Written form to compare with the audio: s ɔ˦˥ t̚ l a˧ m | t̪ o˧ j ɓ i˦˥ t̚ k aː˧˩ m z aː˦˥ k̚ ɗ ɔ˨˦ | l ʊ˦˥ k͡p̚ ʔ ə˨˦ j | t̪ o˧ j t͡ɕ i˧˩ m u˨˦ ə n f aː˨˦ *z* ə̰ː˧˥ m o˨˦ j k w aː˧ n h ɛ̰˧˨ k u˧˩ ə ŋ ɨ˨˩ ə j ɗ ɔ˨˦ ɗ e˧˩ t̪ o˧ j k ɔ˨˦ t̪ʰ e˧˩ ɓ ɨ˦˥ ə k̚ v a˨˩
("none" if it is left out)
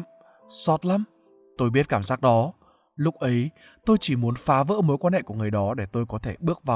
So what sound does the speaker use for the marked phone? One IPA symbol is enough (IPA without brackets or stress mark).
v